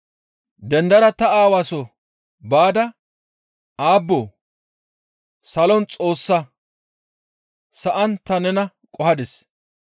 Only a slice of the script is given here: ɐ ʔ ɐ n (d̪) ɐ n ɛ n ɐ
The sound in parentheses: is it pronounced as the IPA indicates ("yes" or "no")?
no